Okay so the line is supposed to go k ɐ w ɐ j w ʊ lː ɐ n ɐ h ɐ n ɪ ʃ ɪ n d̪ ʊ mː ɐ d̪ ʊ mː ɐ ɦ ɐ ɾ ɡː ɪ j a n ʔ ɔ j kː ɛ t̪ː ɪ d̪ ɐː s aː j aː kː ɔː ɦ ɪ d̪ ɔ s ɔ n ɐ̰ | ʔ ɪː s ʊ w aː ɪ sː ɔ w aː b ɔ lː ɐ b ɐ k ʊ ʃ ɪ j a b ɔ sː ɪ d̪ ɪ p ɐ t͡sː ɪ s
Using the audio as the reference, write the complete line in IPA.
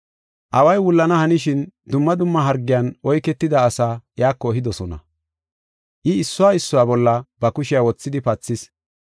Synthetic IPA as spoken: ʔ ɐ w ɐ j w ʊ lː ɐ n ɐ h ɐ n ɪ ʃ ɪ n d̪ ʊ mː ɐ d̪ ʊ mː ɐ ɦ ɐ ɾ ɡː ɪ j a n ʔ ɔ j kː ɛ t̪ː ɪ d̪ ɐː s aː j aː kː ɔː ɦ ɪ d̪ ɔ s ɔ n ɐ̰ | ʔ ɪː sː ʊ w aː ɪ sː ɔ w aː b ɔ lː ɐ b ɐ k ʊ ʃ ɪ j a w ɔ t͡sː ɪ d̪ ɪ p ɐ t͡sː ɪ s